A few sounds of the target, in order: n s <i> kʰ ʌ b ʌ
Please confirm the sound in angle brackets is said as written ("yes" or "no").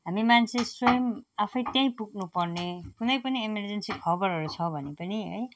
yes